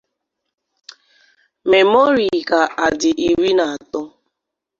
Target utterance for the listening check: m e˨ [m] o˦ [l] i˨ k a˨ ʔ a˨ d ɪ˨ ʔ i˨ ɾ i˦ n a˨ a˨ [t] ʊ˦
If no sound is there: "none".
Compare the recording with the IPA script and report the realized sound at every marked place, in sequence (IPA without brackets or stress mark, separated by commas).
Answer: m, ɾ, t